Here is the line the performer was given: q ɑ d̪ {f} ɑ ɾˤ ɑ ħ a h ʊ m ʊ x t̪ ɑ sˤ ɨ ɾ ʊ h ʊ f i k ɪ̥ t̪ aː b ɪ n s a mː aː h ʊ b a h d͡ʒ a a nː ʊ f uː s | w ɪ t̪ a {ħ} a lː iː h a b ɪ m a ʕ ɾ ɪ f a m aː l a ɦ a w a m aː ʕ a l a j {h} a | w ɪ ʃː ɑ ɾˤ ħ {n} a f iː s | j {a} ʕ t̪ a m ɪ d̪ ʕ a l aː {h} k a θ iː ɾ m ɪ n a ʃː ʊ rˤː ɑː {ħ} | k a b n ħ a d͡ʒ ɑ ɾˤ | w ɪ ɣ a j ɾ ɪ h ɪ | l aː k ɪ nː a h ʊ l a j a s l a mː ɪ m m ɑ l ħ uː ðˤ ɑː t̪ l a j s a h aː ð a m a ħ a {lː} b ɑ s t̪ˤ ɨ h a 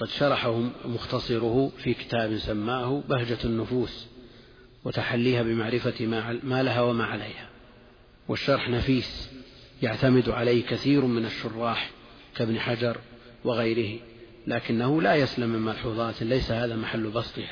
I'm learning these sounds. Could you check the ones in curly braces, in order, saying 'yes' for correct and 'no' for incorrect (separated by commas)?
no, yes, yes, yes, yes, yes, yes, yes